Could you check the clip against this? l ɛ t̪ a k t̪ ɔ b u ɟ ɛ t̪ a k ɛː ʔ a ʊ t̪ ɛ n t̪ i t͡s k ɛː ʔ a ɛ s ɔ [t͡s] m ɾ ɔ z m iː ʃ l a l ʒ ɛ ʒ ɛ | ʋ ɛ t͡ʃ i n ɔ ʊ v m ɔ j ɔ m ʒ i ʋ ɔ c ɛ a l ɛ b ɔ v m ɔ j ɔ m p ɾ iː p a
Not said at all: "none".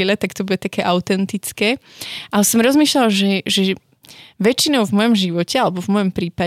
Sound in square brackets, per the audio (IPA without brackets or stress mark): none